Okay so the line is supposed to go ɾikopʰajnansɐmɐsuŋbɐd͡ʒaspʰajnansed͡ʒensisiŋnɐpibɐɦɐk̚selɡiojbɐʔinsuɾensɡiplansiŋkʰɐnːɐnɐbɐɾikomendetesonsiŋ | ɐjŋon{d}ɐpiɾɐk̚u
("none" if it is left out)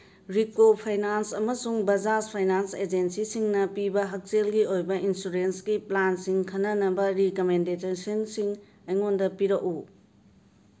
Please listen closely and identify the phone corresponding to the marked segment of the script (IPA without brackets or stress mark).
d